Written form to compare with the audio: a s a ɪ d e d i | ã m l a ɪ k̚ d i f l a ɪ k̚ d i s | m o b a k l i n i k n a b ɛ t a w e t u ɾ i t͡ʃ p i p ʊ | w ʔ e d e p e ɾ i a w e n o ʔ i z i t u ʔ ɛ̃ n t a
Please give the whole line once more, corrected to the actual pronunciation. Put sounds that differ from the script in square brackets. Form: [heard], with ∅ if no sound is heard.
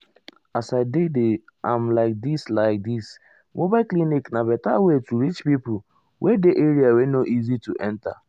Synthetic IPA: a s a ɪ d e d [e] | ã m l a ɪ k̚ d i [s] l a ɪ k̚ d i s | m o b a k l i n i k n a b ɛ t a w e t u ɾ i t͡ʃ p i p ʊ | w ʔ e d e [ʔ] e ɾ i a w e n o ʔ i z i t u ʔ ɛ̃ n t a